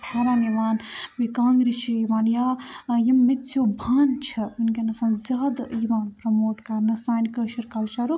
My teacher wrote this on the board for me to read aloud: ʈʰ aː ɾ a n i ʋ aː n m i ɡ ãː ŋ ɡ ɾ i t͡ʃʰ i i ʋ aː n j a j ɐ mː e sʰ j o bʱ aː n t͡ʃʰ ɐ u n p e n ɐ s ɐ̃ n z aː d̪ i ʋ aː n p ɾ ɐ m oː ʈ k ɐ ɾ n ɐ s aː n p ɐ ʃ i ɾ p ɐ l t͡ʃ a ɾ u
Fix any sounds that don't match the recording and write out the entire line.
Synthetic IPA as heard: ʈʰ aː ɾ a n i ʋ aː n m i k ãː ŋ ɡ ɾ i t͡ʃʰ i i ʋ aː n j a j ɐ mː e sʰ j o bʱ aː n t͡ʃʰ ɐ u n k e n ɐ s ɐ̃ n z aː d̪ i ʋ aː n p ɾ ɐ m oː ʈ k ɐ ɾ n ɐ s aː n k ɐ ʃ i ɾ k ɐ l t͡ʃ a ɾ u